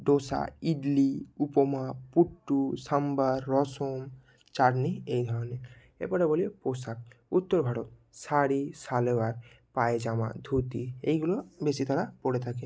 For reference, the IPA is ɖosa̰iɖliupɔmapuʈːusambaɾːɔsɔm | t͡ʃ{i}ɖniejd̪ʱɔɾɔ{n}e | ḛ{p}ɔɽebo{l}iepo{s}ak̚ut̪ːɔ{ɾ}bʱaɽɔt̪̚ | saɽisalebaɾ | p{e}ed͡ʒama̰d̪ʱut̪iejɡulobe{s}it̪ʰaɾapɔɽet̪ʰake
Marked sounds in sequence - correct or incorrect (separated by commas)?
incorrect, correct, correct, correct, correct, correct, incorrect, correct